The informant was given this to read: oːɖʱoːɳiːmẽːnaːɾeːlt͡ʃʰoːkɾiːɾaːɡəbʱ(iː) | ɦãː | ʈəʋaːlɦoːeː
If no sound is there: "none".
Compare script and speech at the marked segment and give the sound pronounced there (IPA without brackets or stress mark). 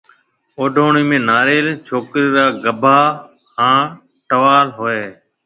aː